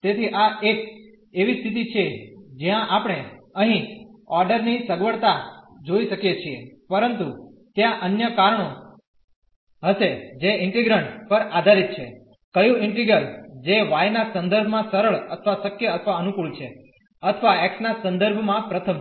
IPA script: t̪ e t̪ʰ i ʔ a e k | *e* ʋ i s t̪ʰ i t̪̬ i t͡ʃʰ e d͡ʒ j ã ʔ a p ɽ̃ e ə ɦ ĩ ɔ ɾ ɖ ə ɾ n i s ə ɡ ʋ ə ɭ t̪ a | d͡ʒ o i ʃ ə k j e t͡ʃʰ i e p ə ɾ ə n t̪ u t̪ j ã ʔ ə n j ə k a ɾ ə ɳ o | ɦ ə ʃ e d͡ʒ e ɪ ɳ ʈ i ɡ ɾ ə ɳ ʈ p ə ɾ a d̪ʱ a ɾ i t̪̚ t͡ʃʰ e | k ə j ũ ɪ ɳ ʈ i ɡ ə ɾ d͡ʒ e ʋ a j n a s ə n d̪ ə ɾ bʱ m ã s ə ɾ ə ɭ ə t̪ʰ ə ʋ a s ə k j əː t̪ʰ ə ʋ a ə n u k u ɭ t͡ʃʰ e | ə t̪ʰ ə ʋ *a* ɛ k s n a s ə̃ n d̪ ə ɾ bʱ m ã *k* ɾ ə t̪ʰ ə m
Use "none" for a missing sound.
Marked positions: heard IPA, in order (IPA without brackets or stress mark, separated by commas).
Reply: e, a, p